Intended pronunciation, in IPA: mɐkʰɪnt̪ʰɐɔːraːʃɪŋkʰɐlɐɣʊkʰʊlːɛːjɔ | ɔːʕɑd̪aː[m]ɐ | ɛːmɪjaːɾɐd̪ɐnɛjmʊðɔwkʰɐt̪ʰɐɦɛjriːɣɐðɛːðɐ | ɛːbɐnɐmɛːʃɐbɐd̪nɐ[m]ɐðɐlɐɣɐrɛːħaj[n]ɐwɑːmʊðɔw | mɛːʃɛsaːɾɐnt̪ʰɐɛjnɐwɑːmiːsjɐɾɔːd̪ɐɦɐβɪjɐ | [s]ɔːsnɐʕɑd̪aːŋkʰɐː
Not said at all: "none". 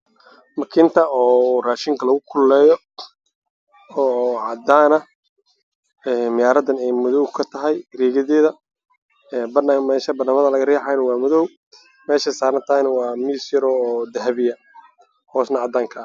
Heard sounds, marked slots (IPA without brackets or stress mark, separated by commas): n, m, n, h